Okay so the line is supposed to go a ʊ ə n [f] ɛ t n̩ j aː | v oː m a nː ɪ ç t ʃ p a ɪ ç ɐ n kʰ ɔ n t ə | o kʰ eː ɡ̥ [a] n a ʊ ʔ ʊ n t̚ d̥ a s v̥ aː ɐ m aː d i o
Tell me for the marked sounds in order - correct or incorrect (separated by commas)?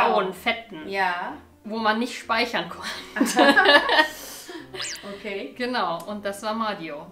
correct, incorrect